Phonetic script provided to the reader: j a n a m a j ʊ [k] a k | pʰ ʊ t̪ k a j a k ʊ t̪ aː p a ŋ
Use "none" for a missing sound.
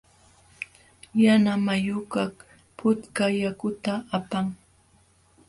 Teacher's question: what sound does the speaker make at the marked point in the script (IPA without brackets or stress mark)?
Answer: k